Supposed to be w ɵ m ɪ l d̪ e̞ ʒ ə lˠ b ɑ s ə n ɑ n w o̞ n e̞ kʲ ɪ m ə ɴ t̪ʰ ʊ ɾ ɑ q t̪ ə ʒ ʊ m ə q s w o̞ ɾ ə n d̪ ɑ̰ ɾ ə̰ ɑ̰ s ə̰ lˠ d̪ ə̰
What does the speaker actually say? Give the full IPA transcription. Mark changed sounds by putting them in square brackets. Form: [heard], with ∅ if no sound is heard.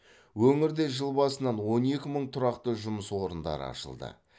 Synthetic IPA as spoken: w ɵ [ŋ] ɪ [ɾ] d̪ e̞ ʒ ə lˠ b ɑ s ə n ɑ n w o̞ n e̞ kʲ ɪ m ə ɴ t̪ʰ ʊ ɾ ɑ q t̪ ə ʒ ʊ m ə [∅] s w o̞ ɾ ə n d̪ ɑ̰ ɾ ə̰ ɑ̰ [ʃ] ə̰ lˠ d̪ ə̰